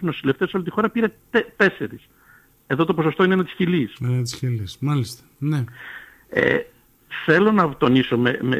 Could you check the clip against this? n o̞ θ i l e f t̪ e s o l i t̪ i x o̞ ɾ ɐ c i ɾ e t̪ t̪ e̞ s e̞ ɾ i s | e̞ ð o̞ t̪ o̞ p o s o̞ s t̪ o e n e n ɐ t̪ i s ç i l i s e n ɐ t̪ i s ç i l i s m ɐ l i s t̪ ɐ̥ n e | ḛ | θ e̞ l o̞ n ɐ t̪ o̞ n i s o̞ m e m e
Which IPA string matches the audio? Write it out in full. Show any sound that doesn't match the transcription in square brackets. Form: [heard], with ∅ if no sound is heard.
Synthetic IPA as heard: n o̞ [s] i l e f t̪ e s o l i t̪ i x o̞ ɾ ɐ [p] i ɾ e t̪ t̪ e̞ s e̞ ɾ i s | e̞ ð o̞ t̪ o̞ p o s o̞ s t̪ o [i] n e n ɐ t̪ i s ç i l i s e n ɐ t̪ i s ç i l i s m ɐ l i s t̪ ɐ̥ n e | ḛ | θ e̞ l o̞ n ɐ t̪ o̞ n i s o̞ m e m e